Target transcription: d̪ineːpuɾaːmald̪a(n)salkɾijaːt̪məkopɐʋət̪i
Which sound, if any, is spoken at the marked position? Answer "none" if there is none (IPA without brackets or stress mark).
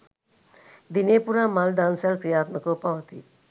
n